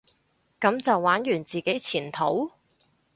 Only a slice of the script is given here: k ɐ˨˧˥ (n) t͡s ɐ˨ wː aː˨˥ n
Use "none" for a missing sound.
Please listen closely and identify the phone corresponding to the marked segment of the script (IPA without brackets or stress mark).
m